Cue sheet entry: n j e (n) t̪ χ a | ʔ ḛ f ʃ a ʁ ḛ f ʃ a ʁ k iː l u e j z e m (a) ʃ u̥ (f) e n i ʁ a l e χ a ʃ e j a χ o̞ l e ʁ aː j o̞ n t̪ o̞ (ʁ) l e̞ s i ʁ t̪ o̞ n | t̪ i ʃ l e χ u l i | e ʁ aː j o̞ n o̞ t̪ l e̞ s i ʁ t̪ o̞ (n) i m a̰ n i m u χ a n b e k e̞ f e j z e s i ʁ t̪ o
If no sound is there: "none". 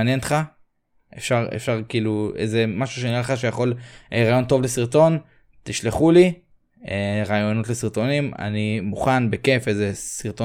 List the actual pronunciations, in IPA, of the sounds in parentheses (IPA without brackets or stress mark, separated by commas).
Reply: n, a, ʃ, v, n